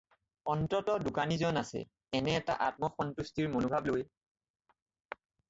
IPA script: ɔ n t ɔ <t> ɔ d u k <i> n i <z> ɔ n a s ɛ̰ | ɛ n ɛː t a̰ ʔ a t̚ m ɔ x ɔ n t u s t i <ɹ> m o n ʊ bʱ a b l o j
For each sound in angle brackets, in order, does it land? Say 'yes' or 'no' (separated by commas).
yes, no, yes, yes